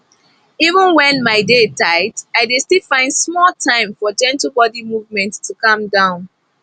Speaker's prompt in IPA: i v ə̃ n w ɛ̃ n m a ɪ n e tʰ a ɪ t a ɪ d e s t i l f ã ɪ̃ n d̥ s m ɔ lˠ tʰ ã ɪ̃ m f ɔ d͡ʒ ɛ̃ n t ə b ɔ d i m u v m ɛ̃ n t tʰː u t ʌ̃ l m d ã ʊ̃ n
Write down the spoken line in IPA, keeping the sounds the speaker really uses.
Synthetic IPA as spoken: i v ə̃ n w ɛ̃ n m a ɪ d e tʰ a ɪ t a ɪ d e s t i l f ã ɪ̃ n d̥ s m ɔ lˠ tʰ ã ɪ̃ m f ɔ d͡ʒ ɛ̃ n t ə b ɔ d i m u v m ɛ̃ n t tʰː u k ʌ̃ m d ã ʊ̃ n